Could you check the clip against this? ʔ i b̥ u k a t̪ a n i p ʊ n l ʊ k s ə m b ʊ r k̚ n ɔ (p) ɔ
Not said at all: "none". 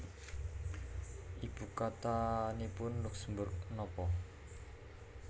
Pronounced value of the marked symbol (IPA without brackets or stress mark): p